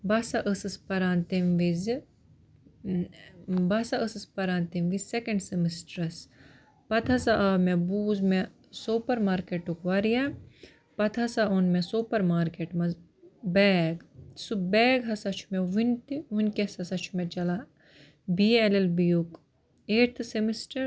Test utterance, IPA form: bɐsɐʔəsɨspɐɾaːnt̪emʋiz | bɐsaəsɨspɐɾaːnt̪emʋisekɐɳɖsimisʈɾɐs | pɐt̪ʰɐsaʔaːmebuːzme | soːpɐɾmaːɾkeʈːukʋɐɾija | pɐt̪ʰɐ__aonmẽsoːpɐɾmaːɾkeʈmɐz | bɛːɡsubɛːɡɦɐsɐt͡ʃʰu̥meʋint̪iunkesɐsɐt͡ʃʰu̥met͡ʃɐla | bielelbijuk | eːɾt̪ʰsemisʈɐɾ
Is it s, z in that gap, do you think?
s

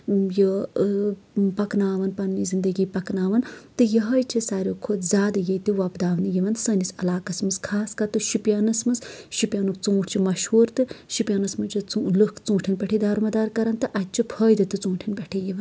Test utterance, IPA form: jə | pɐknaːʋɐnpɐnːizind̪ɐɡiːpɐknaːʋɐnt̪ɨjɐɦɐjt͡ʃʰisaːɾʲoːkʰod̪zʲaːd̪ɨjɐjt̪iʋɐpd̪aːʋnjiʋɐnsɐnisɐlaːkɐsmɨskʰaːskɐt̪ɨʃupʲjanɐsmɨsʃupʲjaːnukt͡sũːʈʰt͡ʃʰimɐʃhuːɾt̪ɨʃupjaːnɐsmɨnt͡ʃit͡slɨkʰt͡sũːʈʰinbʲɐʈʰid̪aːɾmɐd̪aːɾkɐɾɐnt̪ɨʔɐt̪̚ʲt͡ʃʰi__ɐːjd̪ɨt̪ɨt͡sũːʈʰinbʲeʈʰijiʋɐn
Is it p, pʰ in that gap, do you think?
pʰ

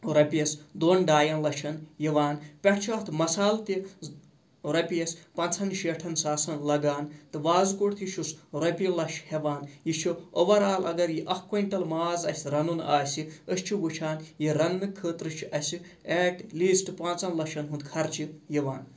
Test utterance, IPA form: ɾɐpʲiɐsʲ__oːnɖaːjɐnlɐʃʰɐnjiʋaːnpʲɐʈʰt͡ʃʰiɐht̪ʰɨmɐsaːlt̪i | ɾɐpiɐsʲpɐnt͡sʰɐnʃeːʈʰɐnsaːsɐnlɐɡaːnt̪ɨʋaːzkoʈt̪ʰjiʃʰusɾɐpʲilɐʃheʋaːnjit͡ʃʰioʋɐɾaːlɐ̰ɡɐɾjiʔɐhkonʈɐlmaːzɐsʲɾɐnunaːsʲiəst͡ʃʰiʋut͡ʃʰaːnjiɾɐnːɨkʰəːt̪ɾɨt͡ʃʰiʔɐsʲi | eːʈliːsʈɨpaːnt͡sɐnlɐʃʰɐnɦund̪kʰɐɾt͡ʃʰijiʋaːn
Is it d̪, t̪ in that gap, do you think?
d̪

